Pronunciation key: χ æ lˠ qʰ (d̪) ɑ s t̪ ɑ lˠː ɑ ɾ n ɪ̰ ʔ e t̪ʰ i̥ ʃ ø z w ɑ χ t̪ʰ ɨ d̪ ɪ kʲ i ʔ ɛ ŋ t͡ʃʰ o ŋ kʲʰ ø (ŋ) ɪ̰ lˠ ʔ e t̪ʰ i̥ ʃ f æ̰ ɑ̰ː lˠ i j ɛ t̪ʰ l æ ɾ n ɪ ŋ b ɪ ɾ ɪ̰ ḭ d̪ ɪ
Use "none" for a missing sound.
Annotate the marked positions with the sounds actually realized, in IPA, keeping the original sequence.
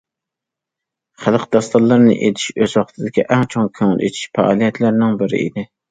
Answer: d̪, ŋ

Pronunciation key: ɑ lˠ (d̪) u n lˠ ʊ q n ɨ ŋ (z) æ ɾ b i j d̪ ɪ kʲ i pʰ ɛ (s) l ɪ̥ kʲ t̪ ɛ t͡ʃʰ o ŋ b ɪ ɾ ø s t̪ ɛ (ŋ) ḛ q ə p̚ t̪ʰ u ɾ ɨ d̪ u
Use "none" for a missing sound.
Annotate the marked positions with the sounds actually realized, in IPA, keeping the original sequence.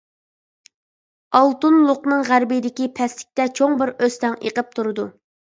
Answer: t̪, ʁ, s, ŋ

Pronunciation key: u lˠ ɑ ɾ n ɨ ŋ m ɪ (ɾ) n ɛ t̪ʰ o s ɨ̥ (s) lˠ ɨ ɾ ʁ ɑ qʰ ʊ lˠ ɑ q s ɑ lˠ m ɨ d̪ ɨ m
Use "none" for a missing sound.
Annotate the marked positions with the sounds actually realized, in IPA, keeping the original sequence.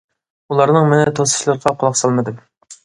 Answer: none, ʃ

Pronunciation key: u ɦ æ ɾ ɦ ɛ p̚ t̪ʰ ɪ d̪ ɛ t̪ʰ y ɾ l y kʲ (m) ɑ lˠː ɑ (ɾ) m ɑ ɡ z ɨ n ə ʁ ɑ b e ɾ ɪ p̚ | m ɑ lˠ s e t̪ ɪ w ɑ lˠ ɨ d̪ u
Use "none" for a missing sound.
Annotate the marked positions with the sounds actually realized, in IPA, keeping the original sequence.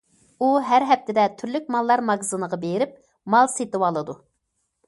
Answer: m, ɾ

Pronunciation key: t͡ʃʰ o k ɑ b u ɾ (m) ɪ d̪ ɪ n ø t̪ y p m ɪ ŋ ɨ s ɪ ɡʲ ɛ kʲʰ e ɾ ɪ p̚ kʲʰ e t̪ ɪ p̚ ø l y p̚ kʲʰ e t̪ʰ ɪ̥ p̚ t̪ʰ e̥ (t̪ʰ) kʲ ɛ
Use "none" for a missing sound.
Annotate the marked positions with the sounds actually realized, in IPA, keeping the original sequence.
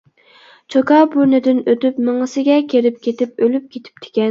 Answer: n, none

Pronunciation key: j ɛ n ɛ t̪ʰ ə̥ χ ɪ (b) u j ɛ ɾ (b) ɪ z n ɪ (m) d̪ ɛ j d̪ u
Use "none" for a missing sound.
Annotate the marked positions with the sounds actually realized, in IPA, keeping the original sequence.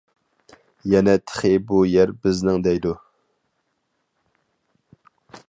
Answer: b, b, ŋ

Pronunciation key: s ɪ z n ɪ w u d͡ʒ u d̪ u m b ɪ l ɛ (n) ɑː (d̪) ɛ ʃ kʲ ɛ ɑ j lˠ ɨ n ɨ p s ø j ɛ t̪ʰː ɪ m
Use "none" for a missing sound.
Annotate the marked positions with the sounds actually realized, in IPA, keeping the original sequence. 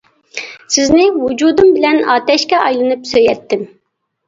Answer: n, t̪

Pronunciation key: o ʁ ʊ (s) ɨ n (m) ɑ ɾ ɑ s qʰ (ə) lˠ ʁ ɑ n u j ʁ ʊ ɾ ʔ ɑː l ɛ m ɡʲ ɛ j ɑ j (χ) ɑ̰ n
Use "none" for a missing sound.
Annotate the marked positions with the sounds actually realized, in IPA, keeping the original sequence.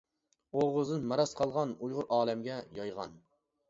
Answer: z, m, ɑ, ʁ

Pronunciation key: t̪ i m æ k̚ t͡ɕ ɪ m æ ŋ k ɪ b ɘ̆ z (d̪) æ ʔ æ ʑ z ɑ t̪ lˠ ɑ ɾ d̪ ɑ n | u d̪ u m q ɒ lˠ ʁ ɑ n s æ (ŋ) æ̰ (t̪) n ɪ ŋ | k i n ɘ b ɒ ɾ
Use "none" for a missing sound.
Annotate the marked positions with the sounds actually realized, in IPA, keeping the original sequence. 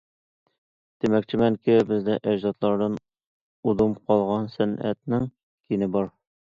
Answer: d̪, n, t̪

